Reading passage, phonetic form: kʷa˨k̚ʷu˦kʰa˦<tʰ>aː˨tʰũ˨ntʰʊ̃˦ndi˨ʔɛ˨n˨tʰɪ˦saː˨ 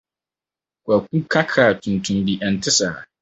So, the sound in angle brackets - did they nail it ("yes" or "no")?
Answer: no